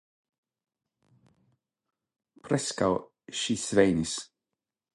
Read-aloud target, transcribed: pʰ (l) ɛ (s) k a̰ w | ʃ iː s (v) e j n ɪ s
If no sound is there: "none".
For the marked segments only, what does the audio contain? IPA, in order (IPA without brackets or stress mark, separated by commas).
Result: ɾ, s, v